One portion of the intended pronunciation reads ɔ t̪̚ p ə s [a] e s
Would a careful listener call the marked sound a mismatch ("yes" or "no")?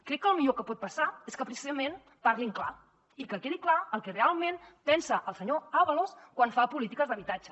no